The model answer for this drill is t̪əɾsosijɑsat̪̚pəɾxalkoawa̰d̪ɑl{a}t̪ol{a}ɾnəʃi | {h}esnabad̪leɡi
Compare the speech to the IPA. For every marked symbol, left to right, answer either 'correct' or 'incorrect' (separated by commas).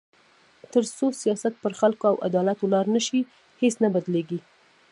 correct, incorrect, correct